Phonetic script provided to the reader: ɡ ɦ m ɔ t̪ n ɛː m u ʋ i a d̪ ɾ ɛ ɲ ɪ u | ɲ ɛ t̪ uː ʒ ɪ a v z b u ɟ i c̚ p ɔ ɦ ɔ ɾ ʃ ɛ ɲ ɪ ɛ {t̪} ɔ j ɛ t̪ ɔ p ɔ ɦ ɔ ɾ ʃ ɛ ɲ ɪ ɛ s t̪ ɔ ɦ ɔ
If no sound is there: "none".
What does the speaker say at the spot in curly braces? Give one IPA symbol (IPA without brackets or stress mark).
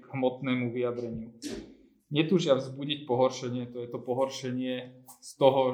t̪